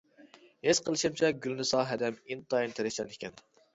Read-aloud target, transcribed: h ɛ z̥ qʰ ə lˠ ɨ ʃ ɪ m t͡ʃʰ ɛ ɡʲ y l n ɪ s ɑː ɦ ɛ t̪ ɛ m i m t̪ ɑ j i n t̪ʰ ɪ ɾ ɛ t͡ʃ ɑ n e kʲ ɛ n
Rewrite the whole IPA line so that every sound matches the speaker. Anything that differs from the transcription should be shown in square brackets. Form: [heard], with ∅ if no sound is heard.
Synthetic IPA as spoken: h [e] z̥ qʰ ə lˠ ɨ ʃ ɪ m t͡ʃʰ ɛ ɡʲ y l n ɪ s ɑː ɦ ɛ [d̪] ɛ m i [n] t̪ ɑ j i n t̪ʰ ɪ ɾ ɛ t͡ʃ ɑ n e kʲ ɛ n